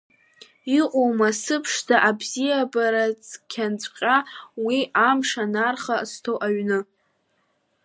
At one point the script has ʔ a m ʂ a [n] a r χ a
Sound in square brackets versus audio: correct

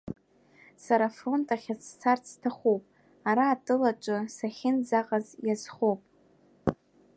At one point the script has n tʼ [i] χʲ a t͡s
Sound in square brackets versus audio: incorrect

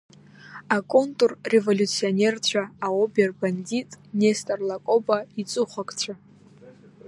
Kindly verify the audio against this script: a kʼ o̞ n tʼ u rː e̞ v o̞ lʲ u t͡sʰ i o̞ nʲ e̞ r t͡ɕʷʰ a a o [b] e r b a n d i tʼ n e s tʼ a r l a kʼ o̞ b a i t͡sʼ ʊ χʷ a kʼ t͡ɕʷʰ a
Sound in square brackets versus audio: correct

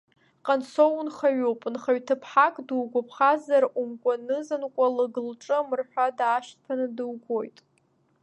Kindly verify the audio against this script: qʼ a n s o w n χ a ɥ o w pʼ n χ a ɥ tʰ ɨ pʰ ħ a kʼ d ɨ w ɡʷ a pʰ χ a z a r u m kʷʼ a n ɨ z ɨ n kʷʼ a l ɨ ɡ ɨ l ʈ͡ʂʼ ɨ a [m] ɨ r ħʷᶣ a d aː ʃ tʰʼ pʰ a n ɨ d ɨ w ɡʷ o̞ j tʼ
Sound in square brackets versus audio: correct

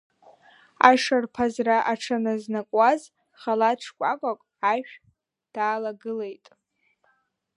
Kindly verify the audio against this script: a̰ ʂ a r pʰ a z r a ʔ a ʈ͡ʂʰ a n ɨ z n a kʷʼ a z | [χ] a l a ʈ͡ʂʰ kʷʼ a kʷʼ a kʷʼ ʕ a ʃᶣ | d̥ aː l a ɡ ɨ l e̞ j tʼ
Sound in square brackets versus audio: correct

